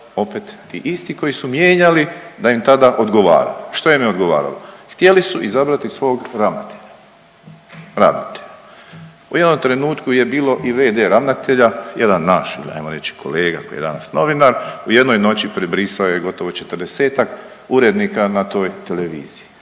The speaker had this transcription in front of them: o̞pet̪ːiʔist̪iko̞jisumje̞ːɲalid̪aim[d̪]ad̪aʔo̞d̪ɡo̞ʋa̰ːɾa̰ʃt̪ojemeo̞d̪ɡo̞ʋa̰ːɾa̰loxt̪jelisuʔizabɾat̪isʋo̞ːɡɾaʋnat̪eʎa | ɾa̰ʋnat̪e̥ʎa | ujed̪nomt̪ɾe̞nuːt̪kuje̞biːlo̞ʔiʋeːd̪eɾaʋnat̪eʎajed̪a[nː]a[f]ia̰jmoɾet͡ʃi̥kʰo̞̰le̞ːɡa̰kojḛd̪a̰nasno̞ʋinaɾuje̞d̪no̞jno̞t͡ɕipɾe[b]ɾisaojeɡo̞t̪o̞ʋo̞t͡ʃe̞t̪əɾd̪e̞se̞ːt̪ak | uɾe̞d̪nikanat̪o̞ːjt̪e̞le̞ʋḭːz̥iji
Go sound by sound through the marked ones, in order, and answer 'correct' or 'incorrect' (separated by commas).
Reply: incorrect, correct, incorrect, correct